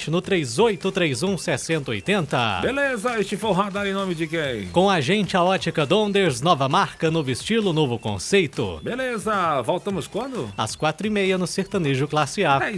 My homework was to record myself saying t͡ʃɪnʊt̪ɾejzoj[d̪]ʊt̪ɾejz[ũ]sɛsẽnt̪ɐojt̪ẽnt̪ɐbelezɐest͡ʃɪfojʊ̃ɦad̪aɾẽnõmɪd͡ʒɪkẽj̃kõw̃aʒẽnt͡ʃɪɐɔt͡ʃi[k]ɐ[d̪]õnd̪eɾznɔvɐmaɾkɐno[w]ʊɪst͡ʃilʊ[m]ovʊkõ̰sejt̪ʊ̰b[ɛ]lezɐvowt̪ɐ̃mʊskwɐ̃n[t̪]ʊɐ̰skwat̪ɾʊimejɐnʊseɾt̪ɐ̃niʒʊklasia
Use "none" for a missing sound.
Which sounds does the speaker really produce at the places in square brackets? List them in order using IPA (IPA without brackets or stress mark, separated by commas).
t̪, ũ, k, d̪, v, n, e, d̪